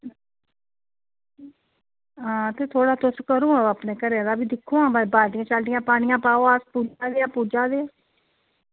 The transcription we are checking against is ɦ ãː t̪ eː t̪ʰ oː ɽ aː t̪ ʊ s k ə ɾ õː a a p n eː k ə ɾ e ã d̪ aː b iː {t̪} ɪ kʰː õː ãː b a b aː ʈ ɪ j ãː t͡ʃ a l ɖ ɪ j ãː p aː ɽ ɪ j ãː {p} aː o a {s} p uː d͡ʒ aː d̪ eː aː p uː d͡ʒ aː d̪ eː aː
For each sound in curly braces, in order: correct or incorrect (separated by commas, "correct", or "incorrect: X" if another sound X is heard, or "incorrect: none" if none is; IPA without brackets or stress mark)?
incorrect: d̪, correct, correct